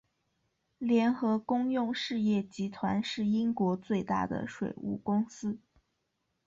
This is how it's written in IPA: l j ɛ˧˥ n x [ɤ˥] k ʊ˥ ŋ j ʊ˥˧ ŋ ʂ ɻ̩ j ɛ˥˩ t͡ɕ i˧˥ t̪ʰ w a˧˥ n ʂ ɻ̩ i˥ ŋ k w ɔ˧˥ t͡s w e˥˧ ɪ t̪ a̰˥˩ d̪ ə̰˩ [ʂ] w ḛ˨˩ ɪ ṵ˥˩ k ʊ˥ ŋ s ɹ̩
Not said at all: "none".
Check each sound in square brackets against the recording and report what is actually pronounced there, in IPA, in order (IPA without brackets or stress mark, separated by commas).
ɤ˧˥, ʂ